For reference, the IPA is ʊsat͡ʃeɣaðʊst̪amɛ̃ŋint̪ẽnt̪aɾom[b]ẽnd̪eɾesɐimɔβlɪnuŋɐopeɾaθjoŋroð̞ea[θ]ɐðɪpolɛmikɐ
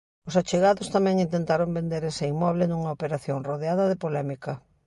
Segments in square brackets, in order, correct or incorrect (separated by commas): correct, incorrect